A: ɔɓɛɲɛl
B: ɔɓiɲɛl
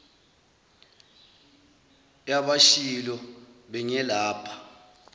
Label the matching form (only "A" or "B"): A